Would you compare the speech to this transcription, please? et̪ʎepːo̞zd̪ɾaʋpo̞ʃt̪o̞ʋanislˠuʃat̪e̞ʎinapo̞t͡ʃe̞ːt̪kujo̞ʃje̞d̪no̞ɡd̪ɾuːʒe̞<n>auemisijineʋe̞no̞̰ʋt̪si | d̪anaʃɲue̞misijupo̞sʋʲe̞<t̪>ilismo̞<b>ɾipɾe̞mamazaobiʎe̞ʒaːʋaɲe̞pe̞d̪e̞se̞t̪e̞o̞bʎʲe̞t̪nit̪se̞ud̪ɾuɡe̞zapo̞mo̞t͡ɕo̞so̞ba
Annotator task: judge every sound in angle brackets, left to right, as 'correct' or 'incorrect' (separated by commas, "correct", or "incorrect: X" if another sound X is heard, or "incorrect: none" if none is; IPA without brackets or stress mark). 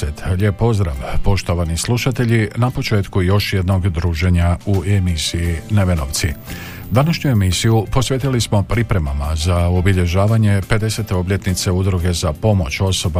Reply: incorrect: ɲ, correct, incorrect: p